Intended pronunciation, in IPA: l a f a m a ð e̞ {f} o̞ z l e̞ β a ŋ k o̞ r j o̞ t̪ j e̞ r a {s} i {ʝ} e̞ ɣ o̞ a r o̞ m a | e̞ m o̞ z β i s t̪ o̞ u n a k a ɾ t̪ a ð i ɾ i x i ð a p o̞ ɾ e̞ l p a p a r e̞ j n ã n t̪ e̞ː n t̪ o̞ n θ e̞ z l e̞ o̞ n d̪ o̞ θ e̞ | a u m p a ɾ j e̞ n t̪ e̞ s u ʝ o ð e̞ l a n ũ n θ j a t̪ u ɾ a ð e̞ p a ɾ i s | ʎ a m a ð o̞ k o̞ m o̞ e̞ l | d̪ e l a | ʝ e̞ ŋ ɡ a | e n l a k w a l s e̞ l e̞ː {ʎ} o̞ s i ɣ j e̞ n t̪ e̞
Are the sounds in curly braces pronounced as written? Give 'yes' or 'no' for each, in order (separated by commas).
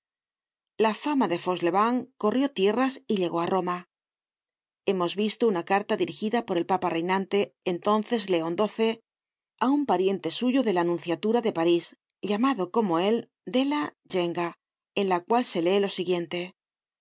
yes, yes, no, no